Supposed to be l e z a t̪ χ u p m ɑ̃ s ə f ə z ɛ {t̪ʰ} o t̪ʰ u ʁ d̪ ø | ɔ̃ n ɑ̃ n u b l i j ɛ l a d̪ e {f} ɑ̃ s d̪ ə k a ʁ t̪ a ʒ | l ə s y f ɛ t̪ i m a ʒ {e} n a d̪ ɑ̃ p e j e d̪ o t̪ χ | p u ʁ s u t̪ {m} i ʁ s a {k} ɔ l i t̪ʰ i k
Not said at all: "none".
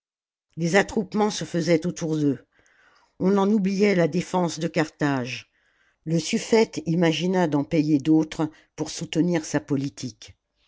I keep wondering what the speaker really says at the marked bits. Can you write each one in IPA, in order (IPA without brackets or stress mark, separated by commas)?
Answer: t̪, f, i, n, p